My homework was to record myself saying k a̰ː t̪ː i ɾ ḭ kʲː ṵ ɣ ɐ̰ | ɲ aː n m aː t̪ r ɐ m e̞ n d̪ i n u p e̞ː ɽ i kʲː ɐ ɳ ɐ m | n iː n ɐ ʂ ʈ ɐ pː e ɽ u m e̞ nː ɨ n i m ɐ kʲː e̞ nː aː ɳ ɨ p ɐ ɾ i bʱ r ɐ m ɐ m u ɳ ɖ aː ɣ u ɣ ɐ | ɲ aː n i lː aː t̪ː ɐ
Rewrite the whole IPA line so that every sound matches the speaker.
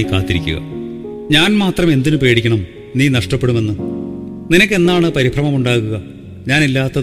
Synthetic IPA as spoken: k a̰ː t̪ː i ɾ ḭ kʲː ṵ ɣ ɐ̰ | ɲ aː n m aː t̪ r ɐ m e̞ n d̪ i n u p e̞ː ɽ i kʲː ɐ ɳ ɐ m | n iː n ɐ ʂ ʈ ɐ pː e ɽ u m e̞ nː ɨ n i n ɐ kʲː e̞ nː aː ɳ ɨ p ɐ ɾ i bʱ r ɐ m ɐ m u ɳ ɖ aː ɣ u ɣ ɐ | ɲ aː n i lː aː t̪ː ɐ